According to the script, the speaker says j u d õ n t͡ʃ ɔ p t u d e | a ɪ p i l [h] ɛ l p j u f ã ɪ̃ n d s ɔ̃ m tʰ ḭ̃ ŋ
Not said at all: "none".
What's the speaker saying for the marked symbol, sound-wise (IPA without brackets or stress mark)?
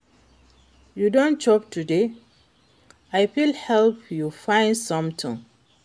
h